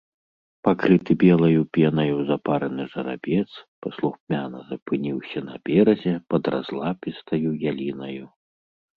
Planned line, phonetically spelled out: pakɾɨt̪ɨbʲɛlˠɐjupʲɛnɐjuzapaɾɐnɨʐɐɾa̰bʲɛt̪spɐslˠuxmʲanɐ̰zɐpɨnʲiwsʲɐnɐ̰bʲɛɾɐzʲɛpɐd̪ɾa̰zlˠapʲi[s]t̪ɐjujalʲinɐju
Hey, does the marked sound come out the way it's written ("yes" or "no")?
yes